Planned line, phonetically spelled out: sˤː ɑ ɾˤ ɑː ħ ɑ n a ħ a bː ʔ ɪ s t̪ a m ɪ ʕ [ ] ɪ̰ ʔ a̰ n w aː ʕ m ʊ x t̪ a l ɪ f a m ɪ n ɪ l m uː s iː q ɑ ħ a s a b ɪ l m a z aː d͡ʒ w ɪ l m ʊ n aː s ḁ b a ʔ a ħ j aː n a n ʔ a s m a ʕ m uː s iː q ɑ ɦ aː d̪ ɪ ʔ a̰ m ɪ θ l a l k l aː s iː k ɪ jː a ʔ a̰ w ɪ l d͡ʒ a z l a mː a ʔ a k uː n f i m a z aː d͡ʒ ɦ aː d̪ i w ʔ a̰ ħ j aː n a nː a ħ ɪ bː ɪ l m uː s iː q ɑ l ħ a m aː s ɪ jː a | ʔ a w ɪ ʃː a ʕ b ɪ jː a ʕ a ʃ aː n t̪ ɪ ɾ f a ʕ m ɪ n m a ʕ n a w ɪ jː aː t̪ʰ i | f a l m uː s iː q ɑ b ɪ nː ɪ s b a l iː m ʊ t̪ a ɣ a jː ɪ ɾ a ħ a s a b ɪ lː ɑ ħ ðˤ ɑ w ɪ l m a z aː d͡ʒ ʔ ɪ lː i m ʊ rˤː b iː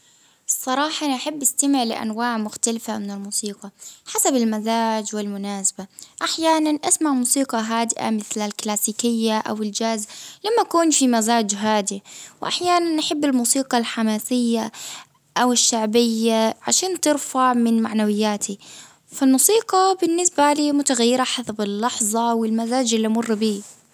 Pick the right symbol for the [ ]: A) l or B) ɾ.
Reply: A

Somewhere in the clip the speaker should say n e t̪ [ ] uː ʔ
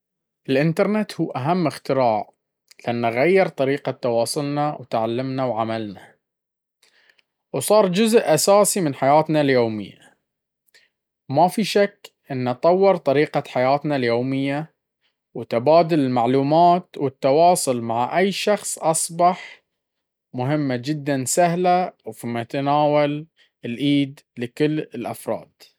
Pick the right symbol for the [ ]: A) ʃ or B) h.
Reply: B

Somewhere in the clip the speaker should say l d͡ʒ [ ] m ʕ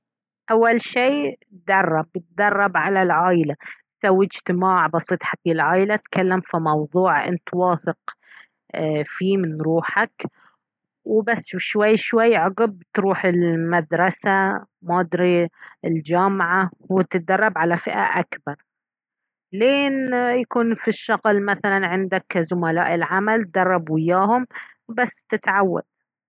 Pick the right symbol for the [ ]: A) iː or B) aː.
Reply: B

